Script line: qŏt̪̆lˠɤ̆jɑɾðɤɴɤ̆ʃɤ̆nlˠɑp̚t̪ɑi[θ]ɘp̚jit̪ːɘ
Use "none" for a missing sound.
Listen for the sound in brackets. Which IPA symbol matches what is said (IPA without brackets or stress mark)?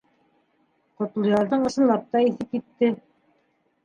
θ